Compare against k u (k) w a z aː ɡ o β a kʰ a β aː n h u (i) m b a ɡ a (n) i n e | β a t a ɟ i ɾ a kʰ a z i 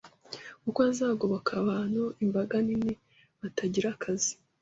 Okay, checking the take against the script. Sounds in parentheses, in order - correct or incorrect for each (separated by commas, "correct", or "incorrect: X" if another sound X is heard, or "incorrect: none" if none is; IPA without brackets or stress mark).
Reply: correct, correct, correct